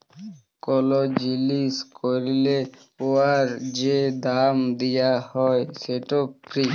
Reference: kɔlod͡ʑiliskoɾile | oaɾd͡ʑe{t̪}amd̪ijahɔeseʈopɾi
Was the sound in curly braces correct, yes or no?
no